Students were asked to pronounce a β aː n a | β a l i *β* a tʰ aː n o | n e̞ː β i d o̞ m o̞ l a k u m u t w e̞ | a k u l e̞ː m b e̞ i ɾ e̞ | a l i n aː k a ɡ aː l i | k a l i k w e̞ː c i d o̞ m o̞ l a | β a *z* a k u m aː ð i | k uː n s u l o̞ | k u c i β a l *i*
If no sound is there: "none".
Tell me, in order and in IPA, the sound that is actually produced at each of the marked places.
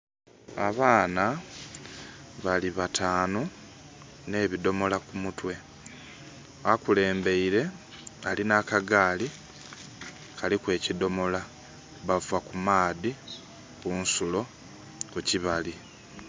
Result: β, v, i

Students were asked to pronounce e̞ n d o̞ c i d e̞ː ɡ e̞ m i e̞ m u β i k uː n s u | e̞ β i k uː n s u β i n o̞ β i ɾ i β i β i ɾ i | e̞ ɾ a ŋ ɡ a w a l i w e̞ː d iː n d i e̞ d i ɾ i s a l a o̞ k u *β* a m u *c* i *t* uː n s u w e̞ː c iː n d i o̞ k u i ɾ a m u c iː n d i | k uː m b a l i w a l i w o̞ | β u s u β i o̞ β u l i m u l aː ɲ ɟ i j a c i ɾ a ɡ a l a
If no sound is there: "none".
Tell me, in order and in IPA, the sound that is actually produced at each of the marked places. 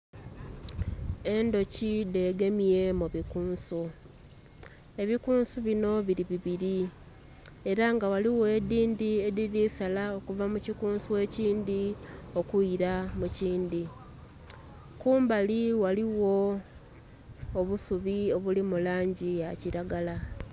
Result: v, c, k

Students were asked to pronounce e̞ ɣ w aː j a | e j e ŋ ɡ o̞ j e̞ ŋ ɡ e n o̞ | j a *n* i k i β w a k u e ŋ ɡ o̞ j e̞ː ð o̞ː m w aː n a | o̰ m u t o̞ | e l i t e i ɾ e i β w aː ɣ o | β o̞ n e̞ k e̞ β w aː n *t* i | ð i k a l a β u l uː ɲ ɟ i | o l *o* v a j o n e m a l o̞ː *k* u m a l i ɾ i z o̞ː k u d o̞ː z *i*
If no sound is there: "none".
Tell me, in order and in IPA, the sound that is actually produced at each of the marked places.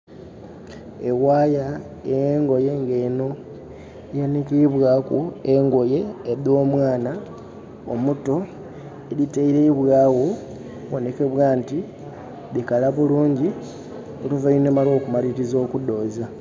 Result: n, t, u, k, a

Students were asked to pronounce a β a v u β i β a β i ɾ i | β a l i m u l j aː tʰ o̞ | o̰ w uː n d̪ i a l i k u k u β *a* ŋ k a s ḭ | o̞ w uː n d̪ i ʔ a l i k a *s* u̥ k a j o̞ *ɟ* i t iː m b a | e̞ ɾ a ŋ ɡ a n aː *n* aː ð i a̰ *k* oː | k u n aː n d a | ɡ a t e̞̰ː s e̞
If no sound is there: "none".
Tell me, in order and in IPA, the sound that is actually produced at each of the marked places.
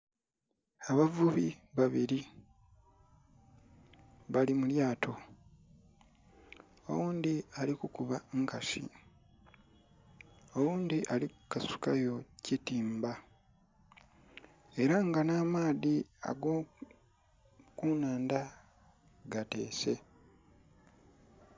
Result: a, s, c, m, ɡ

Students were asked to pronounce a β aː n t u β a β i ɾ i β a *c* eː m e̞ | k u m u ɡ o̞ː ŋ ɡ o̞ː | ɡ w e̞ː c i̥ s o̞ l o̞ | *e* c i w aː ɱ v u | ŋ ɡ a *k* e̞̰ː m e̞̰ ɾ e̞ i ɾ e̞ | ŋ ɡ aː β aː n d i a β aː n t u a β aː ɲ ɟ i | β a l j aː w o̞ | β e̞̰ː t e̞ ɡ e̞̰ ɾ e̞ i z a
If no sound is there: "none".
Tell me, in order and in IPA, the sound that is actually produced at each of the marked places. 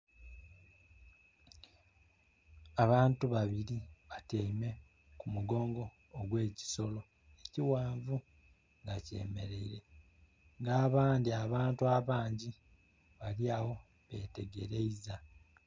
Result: t, e, c

